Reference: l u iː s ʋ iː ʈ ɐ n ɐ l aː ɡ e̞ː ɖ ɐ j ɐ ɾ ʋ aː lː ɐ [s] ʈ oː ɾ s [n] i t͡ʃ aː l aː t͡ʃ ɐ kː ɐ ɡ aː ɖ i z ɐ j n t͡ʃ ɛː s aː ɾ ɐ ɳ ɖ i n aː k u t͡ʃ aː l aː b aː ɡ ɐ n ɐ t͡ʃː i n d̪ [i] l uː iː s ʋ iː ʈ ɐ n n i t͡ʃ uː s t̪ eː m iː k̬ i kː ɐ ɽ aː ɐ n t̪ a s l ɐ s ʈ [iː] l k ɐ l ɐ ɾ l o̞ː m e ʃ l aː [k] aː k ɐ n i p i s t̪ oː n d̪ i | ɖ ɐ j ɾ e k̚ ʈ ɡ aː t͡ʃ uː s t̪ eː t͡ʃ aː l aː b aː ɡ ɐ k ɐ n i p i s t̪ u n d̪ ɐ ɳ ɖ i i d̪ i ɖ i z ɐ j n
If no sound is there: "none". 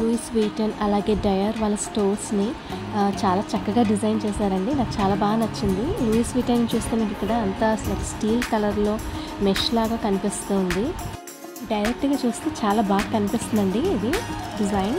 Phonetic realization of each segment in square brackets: s, n, i, iː, ɡ

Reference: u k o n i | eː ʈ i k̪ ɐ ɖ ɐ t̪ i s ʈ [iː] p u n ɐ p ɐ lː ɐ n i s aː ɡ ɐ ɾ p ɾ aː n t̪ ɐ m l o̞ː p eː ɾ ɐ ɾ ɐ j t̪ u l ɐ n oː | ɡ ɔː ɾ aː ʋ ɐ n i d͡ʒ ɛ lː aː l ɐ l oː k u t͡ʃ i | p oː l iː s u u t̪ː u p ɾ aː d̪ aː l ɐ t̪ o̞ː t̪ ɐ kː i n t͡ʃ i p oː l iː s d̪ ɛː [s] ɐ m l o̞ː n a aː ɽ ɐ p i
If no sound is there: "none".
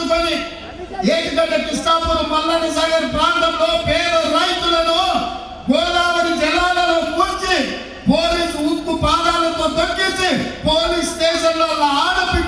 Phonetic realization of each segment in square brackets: aː, ʃ

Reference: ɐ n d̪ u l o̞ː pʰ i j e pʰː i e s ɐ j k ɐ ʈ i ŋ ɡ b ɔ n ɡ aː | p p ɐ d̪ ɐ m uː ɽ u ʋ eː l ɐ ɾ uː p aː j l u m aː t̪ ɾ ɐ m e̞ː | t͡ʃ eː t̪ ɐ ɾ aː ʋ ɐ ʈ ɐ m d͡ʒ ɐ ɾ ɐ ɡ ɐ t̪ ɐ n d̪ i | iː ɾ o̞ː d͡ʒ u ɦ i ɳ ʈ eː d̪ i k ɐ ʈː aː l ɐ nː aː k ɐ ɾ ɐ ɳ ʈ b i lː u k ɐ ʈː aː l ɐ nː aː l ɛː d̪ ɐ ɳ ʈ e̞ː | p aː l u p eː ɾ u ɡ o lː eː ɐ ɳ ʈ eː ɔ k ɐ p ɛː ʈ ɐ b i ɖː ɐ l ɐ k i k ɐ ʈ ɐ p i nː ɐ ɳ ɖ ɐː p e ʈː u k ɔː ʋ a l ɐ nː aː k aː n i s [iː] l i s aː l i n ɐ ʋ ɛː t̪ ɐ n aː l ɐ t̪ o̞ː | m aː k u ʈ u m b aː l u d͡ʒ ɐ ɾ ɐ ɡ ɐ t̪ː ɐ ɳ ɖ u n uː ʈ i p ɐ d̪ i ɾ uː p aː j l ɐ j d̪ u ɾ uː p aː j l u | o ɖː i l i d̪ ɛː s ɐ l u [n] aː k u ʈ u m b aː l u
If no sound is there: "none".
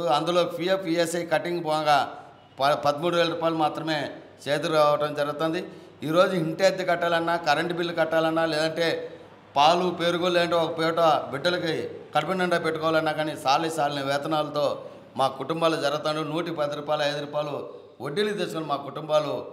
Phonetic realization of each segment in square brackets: aː, m

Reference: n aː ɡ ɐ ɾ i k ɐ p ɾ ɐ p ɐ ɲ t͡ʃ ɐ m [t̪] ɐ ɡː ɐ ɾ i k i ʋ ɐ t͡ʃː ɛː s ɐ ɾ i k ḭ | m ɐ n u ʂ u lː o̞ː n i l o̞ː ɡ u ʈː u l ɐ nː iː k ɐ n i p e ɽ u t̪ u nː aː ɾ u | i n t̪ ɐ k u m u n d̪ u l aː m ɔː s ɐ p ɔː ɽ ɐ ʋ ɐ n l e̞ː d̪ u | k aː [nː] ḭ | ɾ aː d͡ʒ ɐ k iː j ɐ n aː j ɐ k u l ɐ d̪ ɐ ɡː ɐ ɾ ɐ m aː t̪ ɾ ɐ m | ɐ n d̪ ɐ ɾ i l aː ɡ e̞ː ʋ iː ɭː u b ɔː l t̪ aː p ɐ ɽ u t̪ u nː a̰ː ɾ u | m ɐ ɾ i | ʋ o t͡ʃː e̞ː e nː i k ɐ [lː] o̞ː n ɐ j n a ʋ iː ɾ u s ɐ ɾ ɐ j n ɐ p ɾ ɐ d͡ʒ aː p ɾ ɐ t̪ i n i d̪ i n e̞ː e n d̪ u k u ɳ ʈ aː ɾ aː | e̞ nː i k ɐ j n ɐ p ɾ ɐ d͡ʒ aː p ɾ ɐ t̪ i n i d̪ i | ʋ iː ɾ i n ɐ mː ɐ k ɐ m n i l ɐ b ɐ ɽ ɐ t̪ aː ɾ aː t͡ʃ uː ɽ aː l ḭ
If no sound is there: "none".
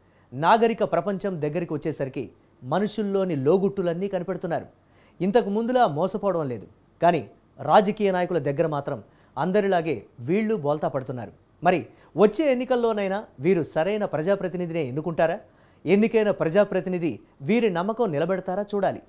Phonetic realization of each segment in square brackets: d̪, n, lː

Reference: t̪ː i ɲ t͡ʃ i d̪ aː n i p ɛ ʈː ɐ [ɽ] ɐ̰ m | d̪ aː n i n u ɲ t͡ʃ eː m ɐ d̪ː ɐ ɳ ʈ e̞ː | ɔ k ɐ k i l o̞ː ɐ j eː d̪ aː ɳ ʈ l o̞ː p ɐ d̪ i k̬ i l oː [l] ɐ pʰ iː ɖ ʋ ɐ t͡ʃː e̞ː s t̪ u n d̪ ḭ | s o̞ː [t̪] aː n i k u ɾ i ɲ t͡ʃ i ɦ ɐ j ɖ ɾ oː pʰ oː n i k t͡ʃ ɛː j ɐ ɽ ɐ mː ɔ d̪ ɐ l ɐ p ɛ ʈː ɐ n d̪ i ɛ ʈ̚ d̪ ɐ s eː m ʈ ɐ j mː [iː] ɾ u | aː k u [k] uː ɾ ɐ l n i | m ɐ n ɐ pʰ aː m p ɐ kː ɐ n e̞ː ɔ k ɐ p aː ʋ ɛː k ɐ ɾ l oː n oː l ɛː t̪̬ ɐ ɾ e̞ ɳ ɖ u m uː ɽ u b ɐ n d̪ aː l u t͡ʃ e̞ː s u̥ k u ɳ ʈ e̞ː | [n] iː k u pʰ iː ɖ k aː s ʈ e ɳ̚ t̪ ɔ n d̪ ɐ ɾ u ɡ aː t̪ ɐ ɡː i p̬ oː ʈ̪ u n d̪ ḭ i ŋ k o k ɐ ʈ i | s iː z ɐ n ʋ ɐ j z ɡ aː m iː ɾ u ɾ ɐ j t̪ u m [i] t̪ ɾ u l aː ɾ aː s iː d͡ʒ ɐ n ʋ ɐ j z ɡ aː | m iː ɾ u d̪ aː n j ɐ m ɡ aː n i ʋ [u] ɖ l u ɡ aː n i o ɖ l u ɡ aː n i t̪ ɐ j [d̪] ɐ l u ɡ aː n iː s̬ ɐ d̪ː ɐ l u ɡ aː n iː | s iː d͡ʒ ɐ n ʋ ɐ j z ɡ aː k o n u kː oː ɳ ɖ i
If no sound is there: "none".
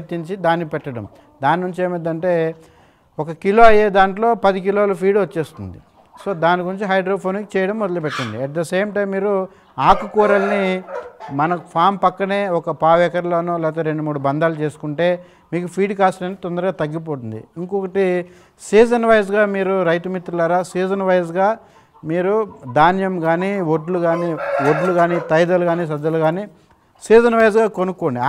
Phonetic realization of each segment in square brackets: ɽ, l, d̪, iː, k, m, i, o, d̪

